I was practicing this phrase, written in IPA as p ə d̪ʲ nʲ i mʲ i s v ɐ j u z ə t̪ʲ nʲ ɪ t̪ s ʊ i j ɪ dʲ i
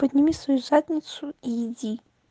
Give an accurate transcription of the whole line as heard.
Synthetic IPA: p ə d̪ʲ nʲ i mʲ i s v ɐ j u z a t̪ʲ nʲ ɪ t̪ s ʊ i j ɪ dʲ i